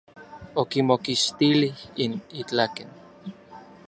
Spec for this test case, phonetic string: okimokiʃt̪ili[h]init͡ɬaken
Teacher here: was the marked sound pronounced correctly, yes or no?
yes